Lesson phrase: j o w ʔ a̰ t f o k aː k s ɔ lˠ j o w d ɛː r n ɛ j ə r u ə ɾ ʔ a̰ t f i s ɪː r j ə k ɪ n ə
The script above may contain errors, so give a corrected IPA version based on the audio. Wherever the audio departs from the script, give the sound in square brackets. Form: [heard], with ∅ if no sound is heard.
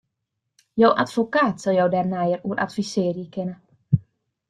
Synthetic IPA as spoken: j o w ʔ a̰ t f o k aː [t] s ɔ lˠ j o w d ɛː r n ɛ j ə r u ə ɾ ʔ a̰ t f i s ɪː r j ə k ɪ n ə